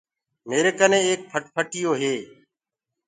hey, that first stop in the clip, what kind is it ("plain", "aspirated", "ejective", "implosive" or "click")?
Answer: plain